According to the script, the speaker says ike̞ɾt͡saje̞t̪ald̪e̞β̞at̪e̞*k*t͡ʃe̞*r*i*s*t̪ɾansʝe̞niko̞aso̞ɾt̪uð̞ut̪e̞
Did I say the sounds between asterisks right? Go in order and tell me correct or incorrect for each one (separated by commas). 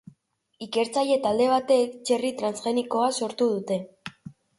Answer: correct, correct, incorrect